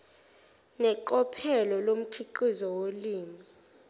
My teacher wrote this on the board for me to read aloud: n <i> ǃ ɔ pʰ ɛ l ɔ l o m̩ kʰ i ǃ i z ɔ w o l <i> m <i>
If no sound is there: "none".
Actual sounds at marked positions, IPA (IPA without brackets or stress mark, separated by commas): ɛ, iː, i